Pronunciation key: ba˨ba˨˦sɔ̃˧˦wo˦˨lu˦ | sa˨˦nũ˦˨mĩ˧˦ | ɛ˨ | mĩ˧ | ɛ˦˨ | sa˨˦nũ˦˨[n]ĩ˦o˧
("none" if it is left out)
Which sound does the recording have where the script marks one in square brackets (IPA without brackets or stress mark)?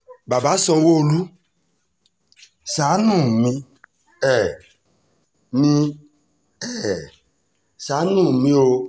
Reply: m